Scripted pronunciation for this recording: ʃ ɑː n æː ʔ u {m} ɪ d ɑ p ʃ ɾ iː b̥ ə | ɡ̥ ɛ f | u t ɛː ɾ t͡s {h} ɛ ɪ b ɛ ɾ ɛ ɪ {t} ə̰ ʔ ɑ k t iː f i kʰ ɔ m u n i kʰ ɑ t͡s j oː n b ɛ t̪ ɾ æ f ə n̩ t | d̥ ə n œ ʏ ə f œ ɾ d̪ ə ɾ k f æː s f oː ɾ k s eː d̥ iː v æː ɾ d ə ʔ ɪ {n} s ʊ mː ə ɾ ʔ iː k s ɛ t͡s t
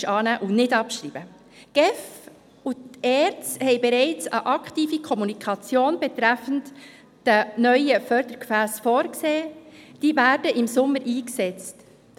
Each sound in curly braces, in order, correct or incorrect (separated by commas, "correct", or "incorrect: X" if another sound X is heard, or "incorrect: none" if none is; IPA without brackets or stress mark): incorrect: n, correct, incorrect: t͡s, incorrect: m